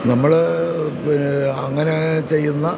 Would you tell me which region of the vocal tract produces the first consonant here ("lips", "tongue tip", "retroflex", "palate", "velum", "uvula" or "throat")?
tongue tip